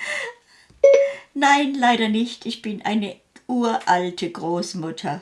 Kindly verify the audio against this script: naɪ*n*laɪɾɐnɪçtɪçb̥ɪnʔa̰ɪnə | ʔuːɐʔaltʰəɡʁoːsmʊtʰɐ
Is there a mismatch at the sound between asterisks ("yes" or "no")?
no